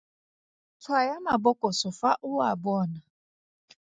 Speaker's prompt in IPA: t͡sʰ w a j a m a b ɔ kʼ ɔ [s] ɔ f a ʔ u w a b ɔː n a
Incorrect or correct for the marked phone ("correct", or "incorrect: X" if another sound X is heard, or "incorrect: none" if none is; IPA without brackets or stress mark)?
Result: correct